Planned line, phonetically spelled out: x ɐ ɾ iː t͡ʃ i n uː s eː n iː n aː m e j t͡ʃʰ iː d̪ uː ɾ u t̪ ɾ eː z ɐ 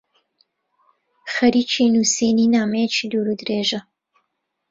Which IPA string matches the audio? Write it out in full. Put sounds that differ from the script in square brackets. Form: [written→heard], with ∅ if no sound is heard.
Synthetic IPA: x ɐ ɾ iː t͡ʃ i n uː s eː n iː n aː m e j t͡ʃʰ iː d̪ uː ɾ u [t̪→d̪] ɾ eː [z→ʒ] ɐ